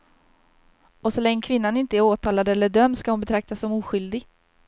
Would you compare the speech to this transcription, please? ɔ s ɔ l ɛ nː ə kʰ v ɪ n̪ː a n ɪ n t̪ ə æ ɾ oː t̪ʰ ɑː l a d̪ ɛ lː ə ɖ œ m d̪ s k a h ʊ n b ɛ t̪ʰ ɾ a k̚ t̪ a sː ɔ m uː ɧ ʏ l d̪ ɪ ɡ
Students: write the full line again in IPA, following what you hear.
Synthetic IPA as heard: ɔ s ɔ l ɛ ŋː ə kʰ v ɪ n̪ː a n ɪ n t̪ ə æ ɾ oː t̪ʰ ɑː l a d̪ ɛ lː ə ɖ œ m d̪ s k a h ʊ n b ɛ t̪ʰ ɾ a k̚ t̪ a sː ɔ m uː ɧ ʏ l d̪ ɪ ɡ